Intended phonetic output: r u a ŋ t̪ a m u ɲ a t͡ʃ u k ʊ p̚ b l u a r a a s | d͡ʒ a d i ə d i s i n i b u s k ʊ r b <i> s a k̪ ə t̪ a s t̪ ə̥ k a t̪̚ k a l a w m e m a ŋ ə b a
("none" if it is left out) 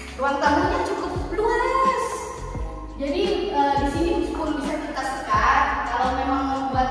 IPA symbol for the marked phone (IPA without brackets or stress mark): i